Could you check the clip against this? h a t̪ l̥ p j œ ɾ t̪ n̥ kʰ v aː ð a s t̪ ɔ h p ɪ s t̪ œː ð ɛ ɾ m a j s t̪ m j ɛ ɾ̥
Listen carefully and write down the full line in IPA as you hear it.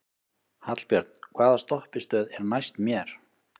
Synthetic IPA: h a t̪ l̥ p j œ ɾ t̪ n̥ kʰ v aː ð a s t̪ ɔ h p ɪ s t̪ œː ð ɛ ɾ n a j s t̪ m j ɛ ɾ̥